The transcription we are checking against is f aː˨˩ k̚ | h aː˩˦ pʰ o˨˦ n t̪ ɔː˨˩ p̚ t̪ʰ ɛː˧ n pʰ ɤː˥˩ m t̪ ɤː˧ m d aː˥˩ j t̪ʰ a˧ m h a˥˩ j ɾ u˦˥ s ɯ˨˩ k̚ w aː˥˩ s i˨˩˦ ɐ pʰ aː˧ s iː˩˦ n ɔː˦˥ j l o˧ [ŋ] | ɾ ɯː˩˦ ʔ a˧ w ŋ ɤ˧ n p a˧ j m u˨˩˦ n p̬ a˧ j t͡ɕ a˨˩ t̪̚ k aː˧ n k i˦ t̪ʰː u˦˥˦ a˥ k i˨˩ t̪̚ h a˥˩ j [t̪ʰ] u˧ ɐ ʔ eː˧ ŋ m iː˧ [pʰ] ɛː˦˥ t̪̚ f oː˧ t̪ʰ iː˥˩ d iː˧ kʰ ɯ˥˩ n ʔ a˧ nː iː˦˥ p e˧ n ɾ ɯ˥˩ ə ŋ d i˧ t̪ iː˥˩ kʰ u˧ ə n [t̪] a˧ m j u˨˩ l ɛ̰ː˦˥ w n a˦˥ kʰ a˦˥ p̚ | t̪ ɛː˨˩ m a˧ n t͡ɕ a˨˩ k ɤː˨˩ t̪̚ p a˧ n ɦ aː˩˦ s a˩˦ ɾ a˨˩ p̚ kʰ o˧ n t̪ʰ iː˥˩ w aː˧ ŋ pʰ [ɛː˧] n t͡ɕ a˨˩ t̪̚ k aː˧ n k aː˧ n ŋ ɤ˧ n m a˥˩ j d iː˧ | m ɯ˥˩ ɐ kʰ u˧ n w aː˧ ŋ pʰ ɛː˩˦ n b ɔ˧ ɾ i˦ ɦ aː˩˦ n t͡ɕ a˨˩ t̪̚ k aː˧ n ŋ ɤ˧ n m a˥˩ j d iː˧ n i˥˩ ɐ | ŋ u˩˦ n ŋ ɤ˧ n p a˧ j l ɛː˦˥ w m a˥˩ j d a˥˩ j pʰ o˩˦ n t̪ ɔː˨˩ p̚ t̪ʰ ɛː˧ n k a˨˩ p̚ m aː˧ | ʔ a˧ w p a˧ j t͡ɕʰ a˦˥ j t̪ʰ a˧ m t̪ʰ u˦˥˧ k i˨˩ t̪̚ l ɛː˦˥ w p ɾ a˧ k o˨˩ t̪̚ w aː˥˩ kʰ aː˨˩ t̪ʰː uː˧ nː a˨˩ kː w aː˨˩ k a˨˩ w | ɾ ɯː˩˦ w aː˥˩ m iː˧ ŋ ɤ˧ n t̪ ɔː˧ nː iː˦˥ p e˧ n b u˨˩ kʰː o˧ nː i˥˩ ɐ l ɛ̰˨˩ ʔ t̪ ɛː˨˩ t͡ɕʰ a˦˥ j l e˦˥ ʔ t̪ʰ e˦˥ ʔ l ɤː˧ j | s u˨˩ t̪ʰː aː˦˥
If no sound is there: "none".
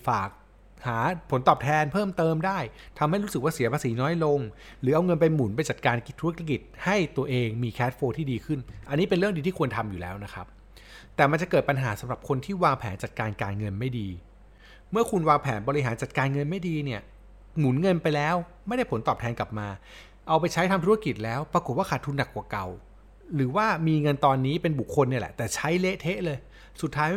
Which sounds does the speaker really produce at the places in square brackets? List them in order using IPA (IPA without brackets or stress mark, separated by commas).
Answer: ŋ, t̪, kʰ, t̪ʰ, ɛː˩˦